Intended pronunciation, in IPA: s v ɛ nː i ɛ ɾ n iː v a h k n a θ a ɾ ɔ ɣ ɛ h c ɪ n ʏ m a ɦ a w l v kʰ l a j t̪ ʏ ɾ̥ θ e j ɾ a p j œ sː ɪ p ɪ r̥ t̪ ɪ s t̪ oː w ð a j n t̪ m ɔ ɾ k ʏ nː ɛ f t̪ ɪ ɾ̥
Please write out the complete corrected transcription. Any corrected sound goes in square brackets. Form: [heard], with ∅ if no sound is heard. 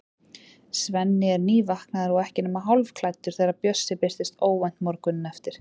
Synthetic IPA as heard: s v ɛ nː [ɪ] ɛ ɾ n iː v a h k n a [ð] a ɾ ɔ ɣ ɛ h c ɪ n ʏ m a ɦ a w l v kʰ l a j t̪ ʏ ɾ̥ θ e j ɾ a p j œ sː ɪ p ɪ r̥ t̪ ɪ s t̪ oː w [v] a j n t̪ m ɔ ɾ k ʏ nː ɛ f t̪ ɪ ɾ̥